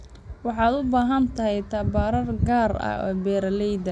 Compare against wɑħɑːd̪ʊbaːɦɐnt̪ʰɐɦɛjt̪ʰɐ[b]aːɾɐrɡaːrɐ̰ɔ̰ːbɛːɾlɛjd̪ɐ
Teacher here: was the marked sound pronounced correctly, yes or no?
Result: yes